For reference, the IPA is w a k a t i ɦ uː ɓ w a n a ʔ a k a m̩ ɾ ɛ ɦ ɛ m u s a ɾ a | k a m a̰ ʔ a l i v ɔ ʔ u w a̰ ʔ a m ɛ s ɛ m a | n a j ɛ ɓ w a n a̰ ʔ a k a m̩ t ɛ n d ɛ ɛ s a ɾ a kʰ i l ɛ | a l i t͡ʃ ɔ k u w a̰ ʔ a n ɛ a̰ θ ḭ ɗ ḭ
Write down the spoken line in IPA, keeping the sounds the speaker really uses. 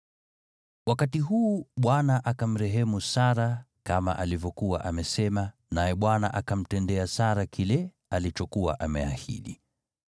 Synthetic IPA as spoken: w a k a t i ɦ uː ɓ w a n a ʔ a k a m̩ ɾ ɛ ɦ ɛ m u s a ɾ a | k a m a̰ ʔ a l i v ɔ k u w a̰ ʔ a m ɛ s ɛ m a | n a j ɛ ɓ w a n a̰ ʔ a k a m̩ t ɛ n d ɛ a s a ɾ a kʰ i l ɛ | a l i t͡ʃ ɔ k u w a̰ ʔ a m ɛ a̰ h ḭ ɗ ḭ